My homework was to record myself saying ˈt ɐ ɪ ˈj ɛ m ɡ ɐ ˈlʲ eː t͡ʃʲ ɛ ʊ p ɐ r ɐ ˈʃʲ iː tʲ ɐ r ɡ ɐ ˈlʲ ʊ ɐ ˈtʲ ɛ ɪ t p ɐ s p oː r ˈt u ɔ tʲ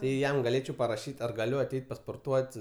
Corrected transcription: ˈt ɐ ɪ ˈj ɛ m ɡ ɐ ˈlʲ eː t͡ʃʲ ɛ ʊ p ɐ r ɐ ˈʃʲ iː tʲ ɐ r ɡ ɐ ˈlʲ ʊ ɐ ˈtʲ ɛ ɪ t p ɐ s p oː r ˈt u ɔ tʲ